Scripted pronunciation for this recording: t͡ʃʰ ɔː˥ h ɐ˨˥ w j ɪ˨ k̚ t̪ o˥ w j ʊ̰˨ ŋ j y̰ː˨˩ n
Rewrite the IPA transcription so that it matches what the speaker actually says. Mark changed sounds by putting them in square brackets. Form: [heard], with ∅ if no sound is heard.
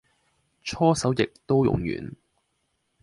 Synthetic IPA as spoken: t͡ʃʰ ɔː˥ [s] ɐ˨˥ w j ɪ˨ k̚ t̪ o˥ w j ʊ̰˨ ŋ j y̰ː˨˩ n